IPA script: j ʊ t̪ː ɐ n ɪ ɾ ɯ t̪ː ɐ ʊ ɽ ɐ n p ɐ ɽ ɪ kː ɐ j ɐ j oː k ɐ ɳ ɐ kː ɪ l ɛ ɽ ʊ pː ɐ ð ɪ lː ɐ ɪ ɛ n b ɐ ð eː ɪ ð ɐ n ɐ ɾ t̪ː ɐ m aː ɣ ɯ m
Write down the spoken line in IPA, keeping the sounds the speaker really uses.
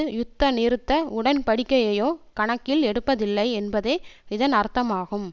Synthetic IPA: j ʊ t̪ː ɐ n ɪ ɾ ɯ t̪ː ɐ ʊ ɽ ɐ n p ɐ ɽ ɪ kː ɐ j ɐ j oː k ɐ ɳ ɐ kː ɪ l ɛ ɽ ɯ pː ɐ ð ɪ lː ɐ ɪ ɛ n b ɐ ð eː ɪ ð ɐ n ɐ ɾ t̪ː ɐ m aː ɣ ɯ m